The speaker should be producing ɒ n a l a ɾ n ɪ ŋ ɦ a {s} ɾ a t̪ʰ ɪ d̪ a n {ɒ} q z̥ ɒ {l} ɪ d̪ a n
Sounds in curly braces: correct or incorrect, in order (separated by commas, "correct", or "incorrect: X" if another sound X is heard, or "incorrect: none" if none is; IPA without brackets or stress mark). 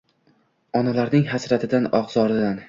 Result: correct, correct, incorrect: ɾ